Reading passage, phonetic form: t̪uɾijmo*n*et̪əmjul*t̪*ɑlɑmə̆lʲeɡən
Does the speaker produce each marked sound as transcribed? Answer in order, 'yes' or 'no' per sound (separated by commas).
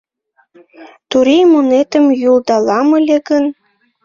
yes, no